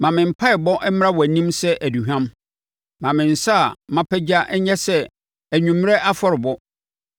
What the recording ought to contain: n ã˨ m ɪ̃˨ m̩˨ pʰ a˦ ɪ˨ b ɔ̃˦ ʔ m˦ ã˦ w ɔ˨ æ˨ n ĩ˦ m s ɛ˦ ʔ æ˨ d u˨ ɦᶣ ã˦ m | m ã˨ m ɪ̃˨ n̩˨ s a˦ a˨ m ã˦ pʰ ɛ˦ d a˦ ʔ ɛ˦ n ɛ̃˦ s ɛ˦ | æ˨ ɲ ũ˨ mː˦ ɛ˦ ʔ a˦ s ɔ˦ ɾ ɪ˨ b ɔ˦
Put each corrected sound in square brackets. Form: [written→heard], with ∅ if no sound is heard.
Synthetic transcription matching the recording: [n→m] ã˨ m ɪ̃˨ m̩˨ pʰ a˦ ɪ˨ b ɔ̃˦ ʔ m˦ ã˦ w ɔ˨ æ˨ n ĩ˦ m s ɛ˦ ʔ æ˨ d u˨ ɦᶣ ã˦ m | m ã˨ m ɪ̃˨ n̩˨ s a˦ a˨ m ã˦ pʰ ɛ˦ [d→d͡ʑ] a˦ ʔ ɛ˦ [n→ɲ] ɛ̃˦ s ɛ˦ | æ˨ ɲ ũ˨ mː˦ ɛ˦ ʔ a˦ [s→f] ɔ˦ ɾ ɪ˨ b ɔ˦